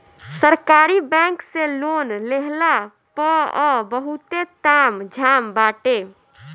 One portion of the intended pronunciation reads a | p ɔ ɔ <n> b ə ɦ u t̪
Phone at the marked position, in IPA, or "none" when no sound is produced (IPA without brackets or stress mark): none